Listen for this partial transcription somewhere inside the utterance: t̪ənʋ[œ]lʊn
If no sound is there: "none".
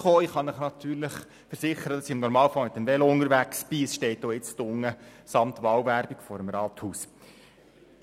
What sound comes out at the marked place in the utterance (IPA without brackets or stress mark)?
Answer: ɛ